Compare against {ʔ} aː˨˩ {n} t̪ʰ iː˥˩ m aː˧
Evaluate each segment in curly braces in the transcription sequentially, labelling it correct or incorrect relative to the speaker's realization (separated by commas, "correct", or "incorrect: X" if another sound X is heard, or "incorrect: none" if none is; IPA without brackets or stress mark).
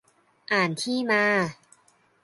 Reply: correct, correct